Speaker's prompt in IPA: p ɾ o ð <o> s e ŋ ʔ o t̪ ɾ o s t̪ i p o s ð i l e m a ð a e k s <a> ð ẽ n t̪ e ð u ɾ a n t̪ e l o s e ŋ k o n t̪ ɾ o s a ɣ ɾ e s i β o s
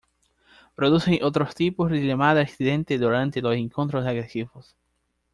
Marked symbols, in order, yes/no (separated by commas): no, no